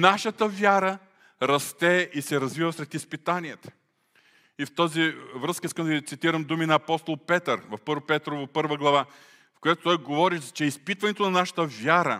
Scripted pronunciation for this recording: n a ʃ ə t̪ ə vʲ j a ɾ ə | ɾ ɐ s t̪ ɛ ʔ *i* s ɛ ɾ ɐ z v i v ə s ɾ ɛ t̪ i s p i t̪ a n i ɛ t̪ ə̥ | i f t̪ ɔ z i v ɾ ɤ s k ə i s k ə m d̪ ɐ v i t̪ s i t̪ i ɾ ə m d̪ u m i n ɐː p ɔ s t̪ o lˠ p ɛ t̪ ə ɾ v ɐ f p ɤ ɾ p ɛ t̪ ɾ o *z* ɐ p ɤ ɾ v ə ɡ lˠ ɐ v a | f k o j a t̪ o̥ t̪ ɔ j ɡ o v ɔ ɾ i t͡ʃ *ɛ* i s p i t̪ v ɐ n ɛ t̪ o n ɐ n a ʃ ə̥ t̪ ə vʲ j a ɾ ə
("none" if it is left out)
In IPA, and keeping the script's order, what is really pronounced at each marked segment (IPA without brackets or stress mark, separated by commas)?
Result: i, v, ɛ